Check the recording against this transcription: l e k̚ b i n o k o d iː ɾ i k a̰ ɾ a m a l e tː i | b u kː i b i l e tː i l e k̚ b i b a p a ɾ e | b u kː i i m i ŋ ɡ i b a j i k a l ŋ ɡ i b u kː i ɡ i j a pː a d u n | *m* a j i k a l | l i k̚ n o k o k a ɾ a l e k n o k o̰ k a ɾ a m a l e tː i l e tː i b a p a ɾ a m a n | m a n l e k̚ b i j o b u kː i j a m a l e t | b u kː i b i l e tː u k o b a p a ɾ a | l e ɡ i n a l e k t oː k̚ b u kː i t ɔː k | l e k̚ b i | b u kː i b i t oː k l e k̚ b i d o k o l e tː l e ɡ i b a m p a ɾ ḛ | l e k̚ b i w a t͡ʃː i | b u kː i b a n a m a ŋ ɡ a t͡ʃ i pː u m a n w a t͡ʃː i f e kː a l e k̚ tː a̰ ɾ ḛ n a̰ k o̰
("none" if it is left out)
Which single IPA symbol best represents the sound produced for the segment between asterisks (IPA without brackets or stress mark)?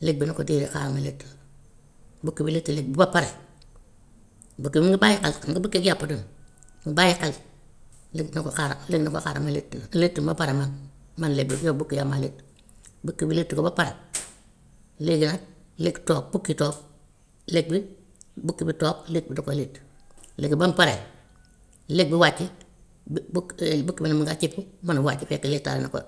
b